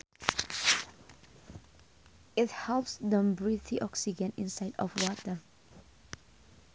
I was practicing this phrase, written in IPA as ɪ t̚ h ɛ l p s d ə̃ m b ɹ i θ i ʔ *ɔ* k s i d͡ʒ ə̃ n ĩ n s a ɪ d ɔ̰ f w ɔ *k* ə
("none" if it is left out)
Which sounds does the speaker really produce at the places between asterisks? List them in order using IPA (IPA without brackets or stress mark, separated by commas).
ɔ, t